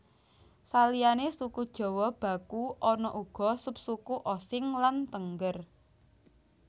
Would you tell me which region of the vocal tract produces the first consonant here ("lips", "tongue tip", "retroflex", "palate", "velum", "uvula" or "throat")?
tongue tip